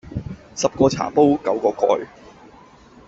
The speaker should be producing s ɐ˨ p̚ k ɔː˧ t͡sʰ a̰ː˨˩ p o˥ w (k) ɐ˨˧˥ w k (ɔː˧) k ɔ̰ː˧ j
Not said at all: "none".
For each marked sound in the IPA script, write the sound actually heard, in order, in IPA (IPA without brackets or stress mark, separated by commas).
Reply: k, ɔː˧